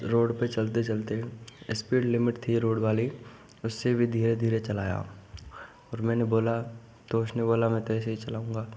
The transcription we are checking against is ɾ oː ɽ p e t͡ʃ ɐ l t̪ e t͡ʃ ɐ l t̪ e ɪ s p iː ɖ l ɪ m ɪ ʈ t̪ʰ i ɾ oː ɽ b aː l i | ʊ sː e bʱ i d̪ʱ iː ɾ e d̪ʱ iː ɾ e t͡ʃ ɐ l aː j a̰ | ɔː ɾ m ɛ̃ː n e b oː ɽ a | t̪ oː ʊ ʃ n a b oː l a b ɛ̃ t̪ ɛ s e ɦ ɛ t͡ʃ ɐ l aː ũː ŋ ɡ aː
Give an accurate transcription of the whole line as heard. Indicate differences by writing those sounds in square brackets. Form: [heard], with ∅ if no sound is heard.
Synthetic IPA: ɾ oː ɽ p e t͡ʃ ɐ l t̪ e t͡ʃ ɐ l t̪ e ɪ s p iː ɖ l ɪ m ɪ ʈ t̪ʰ i ɾ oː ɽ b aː l i | ʊ sː e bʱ i d̪ʱ iː ɾ e d̪ʱ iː ɾ e t͡ʃ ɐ l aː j a̰ | ɔː ɾ m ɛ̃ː n e b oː [l] a | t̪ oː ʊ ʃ n [e] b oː l a [m] ɛ̃ t̪ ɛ s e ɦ [i] t͡ʃ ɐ l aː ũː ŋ ɡ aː